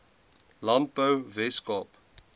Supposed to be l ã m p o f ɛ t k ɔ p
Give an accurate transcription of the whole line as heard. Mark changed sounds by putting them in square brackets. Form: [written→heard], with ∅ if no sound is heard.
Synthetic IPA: l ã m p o [f→v] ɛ [t→s] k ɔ p